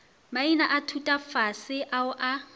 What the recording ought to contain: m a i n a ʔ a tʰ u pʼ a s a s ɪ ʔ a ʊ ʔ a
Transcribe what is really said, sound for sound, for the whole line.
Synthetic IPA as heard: m a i n a ʔ a tʰ u tʼ a f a s ɪ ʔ a ʊ ʔ a